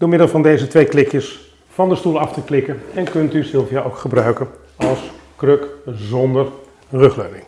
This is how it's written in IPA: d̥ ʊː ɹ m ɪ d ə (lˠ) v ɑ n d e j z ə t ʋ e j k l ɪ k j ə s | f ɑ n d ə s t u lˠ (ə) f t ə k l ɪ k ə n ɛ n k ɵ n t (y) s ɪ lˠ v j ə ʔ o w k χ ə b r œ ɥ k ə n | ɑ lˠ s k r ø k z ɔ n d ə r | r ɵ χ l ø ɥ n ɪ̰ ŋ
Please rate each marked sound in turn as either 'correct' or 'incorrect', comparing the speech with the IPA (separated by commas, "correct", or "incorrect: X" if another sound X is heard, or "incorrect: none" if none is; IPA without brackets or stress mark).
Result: correct, incorrect: ɑ, correct